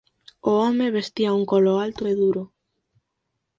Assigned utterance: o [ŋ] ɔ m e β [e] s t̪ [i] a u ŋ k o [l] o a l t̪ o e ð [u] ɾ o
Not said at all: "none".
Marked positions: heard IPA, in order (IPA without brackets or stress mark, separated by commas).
none, e, i, l, u